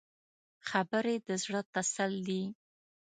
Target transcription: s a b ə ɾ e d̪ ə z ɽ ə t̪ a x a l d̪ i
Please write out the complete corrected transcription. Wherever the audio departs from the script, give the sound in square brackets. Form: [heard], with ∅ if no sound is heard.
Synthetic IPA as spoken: [x] a b ə ɾ e d̪ ə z ɽ ə t̪ a [s] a l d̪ i